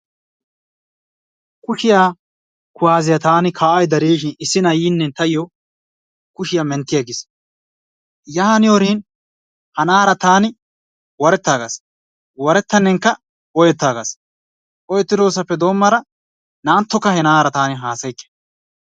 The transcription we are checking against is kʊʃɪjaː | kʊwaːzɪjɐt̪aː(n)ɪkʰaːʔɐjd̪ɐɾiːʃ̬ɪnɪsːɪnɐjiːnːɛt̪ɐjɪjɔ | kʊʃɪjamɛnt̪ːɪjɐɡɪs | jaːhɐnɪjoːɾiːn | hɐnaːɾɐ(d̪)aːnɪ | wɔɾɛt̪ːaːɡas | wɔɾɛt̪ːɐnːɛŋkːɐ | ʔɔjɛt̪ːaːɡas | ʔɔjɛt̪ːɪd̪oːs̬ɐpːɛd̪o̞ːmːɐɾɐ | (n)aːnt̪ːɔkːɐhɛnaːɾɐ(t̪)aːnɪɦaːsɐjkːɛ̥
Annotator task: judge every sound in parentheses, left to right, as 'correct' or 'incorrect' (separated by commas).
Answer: correct, incorrect, correct, correct